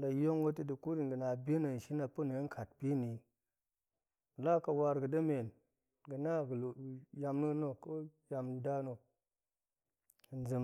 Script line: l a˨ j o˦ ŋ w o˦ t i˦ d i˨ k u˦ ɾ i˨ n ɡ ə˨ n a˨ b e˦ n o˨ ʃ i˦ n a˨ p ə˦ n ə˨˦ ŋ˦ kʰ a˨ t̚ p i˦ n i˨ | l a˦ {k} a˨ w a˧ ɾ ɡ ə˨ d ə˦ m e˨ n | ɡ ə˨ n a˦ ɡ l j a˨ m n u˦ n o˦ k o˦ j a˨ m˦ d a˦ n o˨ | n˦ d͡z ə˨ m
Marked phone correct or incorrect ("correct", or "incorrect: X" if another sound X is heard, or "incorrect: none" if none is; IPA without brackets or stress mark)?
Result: correct